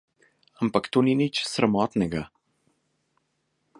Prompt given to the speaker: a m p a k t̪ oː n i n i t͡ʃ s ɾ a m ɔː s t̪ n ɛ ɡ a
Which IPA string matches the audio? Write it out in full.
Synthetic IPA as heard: a m p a k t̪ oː n i n i t͡ʃ s ɾ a m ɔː t̪ n ɛ ɡ a